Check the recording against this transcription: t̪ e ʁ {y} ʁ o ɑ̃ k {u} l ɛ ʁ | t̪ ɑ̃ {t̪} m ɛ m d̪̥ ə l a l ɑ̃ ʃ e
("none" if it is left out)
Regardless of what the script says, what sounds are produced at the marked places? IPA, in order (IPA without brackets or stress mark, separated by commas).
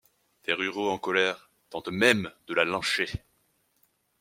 y, ɔ, t̪